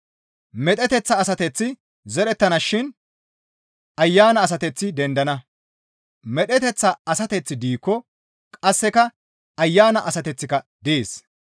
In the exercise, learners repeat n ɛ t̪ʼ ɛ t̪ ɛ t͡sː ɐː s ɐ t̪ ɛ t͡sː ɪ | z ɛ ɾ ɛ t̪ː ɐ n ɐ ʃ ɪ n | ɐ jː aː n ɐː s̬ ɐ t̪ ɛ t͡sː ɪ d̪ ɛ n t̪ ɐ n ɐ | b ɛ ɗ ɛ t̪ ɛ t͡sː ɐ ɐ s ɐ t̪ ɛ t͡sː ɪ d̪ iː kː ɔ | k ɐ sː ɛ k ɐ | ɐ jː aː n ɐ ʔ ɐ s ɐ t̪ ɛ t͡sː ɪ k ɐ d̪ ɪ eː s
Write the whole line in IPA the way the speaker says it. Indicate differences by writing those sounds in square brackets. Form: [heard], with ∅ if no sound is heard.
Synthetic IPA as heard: [m] ɛ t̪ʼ ɛ t̪ ɛ t͡sː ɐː s ɐ t̪ ɛ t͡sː ɪ | z ɛ ɾ ɛ t̪ː ɐ n ɐ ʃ ɪ n | ɐ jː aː n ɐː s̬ ɐ t̪ ɛ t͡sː ɪ d̪ ɛ n [d̪] ɐ n ɐ | [m] ɛ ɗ ɛ t̪ ɛ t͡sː ɐ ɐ s ɐ t̪ ɛ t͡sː ɪ d̪ iː kː ɔ | [kʼ] ɐ sː ɛ k ɐ | ɐ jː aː n ɐ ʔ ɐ s ɐ t̪ ɛ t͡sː ɪ k ɐ d̪ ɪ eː s